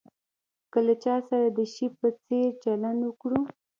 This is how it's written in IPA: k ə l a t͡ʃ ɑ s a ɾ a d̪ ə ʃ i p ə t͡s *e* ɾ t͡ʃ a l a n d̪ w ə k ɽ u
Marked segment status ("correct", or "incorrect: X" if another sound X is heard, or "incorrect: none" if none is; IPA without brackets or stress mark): correct